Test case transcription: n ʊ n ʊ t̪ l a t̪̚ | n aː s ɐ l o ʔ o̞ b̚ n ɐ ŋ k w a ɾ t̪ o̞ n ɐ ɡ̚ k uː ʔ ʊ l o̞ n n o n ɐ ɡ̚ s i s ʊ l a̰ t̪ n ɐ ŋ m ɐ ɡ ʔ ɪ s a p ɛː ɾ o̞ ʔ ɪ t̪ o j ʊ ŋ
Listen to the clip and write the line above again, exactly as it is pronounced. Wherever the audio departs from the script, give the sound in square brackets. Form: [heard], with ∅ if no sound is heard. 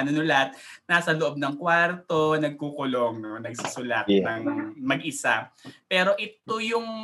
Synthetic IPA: n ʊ n ʊ [∅] l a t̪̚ | n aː s ɐ l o ʔ o̞ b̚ n ɐ ŋ k w a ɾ t̪ o̞ n ɐ ɡ̚ k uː [k] ʊ l o̞ [ŋ] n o n ɐ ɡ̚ s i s ʊ l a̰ t̪ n ɐ ŋ m ɐ ɡ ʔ ɪ s a p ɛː ɾ o̞ ʔ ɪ t̪ o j ʊ ŋ